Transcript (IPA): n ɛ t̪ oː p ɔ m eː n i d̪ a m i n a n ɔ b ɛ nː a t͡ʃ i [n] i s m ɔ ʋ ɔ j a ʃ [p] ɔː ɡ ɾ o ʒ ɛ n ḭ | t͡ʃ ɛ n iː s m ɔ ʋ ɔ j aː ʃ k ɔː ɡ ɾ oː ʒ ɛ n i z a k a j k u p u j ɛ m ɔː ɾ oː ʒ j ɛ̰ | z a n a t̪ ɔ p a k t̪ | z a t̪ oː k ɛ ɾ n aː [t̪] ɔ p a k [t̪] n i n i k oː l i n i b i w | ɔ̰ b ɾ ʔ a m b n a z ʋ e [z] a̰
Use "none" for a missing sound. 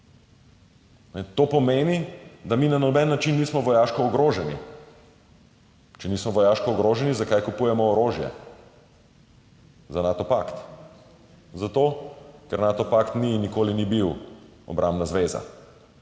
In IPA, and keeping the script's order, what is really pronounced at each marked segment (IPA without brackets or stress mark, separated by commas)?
nː, k, t̪, t̪, z